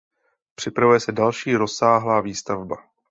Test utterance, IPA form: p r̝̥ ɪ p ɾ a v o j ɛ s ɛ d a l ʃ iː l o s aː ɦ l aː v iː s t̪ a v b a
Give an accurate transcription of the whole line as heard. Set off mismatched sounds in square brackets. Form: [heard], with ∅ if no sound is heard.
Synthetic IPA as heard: p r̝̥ ɪ p ɾ a v [u] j ɛ s ɛ d a l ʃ iː [ɾ] o s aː ɦ l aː v iː s t̪ a v b a